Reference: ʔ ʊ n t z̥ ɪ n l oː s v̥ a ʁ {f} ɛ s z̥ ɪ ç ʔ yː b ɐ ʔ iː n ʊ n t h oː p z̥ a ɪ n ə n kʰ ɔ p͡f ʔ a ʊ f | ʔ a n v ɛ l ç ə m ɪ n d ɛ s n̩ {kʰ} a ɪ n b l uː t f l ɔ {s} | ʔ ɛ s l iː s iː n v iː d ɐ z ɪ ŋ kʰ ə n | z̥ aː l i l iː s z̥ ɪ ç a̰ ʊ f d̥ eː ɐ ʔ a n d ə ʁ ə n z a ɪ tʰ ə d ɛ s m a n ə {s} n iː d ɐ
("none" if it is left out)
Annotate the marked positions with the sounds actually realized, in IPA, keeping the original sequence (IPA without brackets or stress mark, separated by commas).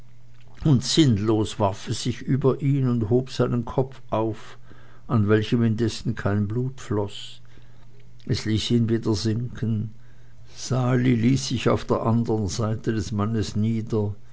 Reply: f, kʰ, s, s